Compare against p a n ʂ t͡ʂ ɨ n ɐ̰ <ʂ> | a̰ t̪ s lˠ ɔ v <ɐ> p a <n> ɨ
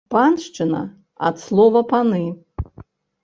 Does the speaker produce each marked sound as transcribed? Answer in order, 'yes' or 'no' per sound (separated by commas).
no, yes, yes